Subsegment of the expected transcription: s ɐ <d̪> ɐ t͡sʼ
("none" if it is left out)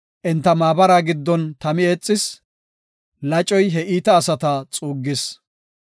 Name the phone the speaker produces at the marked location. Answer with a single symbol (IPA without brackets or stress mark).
t̪